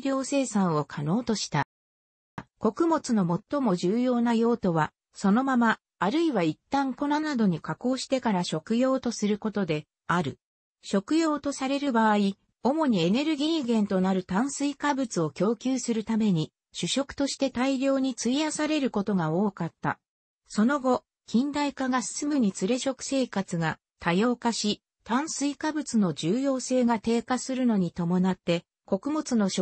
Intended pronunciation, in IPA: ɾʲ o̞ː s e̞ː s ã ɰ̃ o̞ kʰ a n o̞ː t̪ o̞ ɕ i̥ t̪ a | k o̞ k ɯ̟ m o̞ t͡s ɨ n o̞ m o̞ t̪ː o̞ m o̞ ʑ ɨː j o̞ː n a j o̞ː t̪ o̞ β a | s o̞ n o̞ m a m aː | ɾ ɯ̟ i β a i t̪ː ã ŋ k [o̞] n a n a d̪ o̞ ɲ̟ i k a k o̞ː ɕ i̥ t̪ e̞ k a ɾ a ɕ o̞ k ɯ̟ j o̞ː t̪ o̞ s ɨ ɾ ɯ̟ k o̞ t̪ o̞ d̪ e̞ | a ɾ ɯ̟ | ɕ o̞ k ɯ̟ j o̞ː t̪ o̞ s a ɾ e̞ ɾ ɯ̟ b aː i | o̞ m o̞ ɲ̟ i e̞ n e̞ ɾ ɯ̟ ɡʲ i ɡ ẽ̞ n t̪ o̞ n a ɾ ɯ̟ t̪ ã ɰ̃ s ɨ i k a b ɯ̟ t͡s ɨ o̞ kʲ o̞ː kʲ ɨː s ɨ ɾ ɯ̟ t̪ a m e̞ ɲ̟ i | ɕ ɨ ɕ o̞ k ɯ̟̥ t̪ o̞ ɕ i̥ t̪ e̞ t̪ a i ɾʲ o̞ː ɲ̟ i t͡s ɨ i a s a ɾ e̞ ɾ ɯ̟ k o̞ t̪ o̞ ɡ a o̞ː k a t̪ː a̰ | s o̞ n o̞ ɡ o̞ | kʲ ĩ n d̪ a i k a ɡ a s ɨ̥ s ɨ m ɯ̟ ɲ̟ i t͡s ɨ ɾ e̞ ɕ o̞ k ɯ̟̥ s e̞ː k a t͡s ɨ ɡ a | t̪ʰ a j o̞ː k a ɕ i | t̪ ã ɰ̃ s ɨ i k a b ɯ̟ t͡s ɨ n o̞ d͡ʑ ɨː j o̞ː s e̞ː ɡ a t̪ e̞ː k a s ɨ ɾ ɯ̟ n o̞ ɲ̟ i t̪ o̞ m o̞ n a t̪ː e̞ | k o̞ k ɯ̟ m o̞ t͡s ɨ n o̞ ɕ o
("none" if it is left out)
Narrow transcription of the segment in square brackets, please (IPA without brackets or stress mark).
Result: o̞